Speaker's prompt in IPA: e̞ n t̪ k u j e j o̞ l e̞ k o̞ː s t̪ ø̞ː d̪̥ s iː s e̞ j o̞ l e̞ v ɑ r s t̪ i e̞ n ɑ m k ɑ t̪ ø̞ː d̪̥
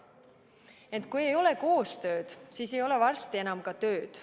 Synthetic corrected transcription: e̞ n t̪ k u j e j o̞ l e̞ k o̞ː s t̪ ø̞ː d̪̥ s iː s e̞ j o̞ l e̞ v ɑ r s t̪ i e̞ n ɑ m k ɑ t̪ ø̞ː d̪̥

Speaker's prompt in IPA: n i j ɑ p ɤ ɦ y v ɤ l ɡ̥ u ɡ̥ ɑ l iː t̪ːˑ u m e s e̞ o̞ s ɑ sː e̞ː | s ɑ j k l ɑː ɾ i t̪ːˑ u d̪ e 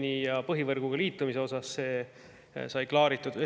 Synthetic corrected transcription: n i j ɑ p ɤ ɦ i v ɤ r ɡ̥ u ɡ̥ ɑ l iː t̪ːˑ u m i s e̞ o̞ s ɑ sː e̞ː | s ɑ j k l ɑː ɾ i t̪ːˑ u d̪ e

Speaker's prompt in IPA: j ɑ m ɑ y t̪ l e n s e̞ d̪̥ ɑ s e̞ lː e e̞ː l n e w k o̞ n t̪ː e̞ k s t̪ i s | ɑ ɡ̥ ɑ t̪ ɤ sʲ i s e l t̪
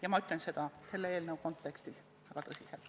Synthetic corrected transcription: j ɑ m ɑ y t̪ l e n s e̞ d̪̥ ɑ s e̞ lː e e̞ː l n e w k o̞ n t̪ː e̞ k s t̪ i s | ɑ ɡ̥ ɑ t̪ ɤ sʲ i s e l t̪

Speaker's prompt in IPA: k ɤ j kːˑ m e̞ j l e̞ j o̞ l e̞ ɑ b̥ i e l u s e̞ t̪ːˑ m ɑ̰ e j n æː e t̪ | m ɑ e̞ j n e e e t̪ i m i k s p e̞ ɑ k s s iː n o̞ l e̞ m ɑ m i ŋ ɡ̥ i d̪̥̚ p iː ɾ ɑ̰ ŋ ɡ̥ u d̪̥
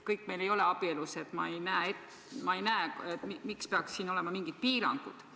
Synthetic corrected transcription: k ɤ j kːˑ m e̞ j l e̞ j o̞ l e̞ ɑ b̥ i e l u s e̞ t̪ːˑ m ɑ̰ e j n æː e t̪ | m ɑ e̞ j n æ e e t̪ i m i k s p e̞ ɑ k s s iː n o̞ l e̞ m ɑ m i ŋ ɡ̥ i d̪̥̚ p iː ɾ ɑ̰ ŋ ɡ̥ u d̪̥

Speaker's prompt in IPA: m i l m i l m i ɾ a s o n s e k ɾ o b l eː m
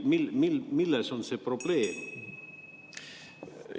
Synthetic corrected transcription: m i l m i l m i l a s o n s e p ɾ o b l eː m

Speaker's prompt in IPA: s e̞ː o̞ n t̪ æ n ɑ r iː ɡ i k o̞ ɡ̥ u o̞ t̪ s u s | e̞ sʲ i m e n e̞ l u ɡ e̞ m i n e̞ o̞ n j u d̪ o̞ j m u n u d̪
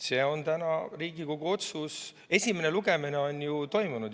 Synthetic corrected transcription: s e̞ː o̞ n t̪ æ n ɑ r iː ɡ i k o̞ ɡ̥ u o̞ t̪ s u s | e̞ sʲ i m e n e̞ l u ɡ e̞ m i n e̞ o̞ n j u t̪ o̞ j m u n u d̪

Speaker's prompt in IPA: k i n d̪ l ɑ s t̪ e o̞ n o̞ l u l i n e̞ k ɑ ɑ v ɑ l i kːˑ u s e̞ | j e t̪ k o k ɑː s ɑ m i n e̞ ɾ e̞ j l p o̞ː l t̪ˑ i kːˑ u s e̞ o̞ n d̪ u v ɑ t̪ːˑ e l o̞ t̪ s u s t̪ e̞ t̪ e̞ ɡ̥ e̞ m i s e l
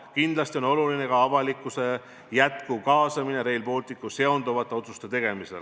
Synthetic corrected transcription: k i n d̪ l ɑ s t̪ i o̞ n o̞ l u l i n e̞ k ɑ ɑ v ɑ l i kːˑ u s e̞ | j æ t̪ k u k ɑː s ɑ m i n e̞ ɾ e̞ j l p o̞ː l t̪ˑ i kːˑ u s e̞ o̞ n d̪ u v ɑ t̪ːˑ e o̞ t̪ s u s t̪ e̞ t̪ e̞ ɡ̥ e̞ m i s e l

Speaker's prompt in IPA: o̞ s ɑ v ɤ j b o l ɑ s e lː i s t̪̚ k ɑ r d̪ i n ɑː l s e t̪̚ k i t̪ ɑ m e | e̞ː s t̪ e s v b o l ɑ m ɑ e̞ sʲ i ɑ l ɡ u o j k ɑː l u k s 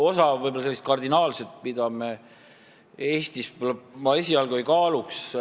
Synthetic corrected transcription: o̞ s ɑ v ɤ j b o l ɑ s e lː i s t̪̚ k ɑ r d̪ i n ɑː l s e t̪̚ p i d̪ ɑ m e | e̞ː s t̪ i s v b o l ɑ m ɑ e̞ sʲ i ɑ l ɡ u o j k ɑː l u k s

